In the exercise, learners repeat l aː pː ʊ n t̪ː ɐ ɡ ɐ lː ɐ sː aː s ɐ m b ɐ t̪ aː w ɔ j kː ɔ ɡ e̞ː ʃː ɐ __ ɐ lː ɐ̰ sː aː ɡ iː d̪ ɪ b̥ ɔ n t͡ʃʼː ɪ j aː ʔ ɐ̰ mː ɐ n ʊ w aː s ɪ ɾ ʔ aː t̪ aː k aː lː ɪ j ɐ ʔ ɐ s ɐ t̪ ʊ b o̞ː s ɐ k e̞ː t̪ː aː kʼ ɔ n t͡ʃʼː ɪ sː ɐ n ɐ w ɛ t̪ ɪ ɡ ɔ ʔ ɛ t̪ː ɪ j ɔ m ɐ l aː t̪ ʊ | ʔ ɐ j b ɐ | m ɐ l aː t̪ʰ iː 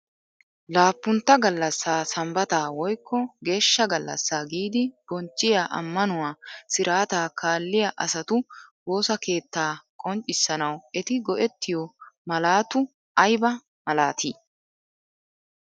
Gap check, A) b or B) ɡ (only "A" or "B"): B